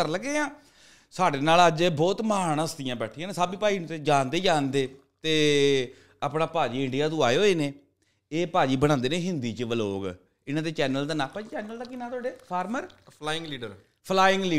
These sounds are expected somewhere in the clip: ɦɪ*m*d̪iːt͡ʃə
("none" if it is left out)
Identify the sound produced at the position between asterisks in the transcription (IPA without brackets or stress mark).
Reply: n